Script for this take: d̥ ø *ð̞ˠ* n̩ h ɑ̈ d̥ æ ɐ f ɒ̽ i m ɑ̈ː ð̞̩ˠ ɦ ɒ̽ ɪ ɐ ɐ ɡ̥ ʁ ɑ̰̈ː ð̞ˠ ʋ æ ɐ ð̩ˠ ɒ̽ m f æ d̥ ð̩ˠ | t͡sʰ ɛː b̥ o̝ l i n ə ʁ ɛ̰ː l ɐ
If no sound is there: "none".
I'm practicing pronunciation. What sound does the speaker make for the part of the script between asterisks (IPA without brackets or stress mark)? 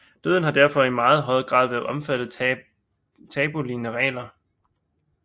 ð̞ˠ